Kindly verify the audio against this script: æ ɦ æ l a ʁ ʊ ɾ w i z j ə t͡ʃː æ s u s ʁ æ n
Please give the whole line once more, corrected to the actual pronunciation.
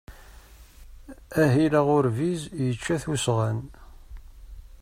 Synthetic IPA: æ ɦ i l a ʁ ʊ ɾ v i z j ə t͡ʃː æ θ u s ʁ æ n